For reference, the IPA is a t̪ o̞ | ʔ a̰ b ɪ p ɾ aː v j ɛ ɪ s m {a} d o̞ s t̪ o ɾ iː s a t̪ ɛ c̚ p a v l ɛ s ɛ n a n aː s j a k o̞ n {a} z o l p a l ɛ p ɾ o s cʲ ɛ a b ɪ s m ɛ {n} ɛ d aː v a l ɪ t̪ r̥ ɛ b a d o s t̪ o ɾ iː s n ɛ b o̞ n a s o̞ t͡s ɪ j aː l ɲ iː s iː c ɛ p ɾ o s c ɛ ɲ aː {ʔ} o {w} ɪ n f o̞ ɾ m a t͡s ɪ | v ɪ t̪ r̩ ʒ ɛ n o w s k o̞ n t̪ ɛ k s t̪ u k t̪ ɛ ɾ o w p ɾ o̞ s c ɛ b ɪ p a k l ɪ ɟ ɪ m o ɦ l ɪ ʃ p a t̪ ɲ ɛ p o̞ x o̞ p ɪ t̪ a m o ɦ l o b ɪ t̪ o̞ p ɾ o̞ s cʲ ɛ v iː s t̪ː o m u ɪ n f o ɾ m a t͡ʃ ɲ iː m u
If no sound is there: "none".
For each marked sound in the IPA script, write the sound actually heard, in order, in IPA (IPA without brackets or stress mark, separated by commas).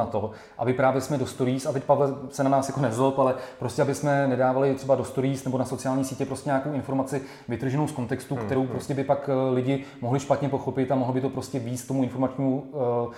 ɛ, ɛ, n, k, w